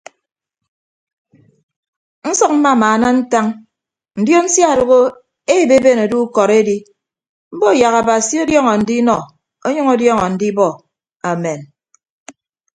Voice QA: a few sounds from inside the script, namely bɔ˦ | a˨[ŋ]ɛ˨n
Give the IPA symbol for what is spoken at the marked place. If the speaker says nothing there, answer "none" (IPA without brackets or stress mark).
m